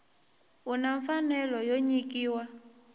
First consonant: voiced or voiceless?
voiced